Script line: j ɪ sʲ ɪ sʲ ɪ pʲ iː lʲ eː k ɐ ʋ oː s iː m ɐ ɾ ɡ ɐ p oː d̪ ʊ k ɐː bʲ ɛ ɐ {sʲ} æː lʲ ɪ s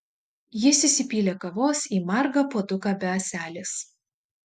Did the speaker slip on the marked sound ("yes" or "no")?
no